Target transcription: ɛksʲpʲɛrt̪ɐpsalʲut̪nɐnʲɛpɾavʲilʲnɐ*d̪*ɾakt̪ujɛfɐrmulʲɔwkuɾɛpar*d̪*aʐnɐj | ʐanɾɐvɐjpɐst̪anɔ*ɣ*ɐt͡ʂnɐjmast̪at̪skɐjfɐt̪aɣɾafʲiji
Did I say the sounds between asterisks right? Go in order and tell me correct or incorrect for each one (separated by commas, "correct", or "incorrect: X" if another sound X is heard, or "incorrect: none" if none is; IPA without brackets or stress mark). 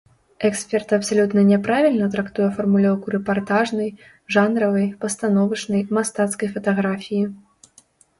incorrect: t̪, incorrect: t̪, incorrect: v